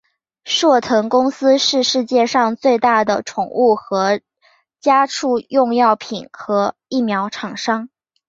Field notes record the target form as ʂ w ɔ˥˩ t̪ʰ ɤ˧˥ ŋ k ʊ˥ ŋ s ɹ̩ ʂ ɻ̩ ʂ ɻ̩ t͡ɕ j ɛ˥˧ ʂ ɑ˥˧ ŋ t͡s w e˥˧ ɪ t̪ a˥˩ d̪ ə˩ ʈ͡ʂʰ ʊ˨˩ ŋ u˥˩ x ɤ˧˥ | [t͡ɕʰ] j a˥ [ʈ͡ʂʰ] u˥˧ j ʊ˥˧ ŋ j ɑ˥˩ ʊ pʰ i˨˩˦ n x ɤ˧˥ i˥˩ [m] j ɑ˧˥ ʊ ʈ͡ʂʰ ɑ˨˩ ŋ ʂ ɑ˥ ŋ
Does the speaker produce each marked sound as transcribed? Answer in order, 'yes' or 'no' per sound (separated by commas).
no, yes, yes